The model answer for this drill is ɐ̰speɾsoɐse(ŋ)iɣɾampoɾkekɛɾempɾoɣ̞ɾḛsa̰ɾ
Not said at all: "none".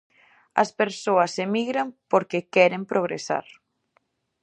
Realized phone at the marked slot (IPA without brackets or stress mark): m